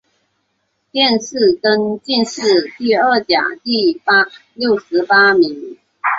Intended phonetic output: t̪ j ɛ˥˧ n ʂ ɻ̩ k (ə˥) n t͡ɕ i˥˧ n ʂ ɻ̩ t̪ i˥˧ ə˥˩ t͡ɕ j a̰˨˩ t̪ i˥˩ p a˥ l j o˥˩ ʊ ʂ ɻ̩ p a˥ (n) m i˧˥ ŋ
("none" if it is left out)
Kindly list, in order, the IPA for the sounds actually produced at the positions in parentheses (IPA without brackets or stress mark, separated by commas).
ə˥, none